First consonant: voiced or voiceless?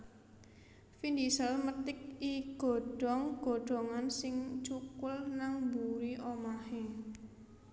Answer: voiceless